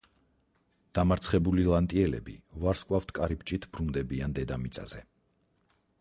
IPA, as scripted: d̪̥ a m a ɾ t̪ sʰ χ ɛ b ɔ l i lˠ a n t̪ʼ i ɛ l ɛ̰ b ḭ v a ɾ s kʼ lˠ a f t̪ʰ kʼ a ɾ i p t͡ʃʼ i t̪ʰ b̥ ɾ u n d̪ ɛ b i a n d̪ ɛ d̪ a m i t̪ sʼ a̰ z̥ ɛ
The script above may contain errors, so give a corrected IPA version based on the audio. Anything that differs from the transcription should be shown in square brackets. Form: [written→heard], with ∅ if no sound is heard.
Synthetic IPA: d̪̥ a m a ɾ t̪ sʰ χ ɛ b [ɔ→u] l i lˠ a n t̪ʼ i ɛ l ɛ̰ b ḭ v a ɾ s kʼ lˠ a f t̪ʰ kʼ a ɾ i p t͡ʃʼ i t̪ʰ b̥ ɾ u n d̪ ɛ b i a n d̪ ɛ d̪ a m i t̪ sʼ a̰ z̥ ɛ